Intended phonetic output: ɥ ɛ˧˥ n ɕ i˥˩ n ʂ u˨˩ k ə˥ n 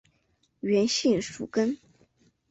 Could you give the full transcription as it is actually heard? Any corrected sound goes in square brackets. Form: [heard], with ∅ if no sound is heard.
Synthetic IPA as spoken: ɥ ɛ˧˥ n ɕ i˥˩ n ʂ u˨˩ k ə˥ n